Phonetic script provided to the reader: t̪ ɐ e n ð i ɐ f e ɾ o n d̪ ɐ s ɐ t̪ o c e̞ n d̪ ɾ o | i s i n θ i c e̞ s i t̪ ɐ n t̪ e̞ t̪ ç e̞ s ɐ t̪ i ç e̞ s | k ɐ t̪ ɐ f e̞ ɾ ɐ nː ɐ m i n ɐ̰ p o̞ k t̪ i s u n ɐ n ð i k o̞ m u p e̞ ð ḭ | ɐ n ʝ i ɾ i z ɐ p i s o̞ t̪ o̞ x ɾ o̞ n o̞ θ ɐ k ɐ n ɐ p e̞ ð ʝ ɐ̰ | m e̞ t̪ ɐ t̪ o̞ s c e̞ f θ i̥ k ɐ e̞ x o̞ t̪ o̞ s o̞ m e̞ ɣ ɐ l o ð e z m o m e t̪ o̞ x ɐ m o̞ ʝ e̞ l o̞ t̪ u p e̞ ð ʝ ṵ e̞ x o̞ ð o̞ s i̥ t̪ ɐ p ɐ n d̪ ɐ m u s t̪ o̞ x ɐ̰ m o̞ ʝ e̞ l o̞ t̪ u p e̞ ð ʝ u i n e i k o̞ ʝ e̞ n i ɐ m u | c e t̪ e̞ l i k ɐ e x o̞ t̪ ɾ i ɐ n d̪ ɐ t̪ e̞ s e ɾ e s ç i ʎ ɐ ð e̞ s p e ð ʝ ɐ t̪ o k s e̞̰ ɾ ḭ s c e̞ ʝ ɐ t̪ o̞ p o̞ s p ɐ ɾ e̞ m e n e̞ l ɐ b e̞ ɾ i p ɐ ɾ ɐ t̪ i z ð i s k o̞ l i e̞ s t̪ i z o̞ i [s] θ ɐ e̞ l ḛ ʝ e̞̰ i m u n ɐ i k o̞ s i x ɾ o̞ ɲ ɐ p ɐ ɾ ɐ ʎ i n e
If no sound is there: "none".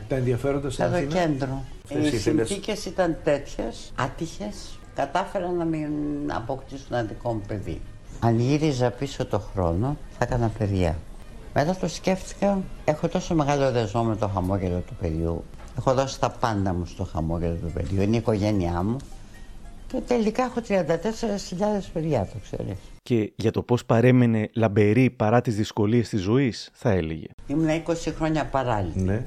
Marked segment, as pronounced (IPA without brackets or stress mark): s